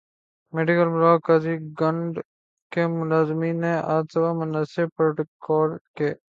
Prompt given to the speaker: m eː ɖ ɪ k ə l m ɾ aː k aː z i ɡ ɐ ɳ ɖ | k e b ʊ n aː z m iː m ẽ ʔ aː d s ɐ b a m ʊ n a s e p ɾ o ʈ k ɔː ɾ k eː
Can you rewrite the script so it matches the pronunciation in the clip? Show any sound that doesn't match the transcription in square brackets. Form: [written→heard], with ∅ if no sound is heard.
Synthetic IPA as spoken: m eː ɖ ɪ k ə l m ɾ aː k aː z i ɡ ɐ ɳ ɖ | k e [b→m] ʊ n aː z m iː [m→n] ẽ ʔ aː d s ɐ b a m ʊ n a s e p ɾ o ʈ k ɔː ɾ k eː